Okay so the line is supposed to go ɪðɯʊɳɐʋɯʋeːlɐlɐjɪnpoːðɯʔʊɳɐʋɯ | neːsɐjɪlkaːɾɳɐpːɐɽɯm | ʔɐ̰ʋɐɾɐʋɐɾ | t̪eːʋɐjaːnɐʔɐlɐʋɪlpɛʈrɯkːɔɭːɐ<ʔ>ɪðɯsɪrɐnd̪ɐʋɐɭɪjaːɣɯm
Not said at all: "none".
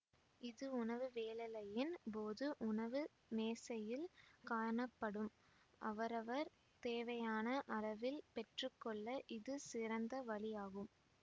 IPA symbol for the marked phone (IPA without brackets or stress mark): ʔ